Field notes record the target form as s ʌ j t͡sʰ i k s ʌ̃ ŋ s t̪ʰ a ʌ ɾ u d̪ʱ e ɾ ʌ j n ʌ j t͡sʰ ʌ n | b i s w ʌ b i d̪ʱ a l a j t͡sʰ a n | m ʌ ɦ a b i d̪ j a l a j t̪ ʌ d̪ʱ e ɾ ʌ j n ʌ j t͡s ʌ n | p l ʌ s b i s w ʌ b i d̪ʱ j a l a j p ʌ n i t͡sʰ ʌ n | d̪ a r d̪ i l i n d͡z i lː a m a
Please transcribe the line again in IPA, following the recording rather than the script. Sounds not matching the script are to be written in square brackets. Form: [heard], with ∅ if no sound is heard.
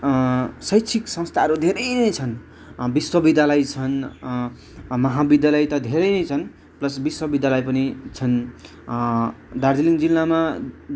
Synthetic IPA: s ʌ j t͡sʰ i k s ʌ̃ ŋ s t̪ʰ a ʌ ɾ u d̪ʱ e ɾ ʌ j n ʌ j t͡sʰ ʌ n | b i s w ʌ b i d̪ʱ a l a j t͡sʰ [ʌ] n | m ʌ ɦ a b i d̪ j a l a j t̪ ʌ d̪ʱ e ɾ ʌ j n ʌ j [t͡sʰ] ʌ n | p l ʌ s b i s w ʌ b i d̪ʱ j a l a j p ʌ n i t͡sʰ ʌ n | d̪ a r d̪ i l i [ŋ] d͡z i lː a m a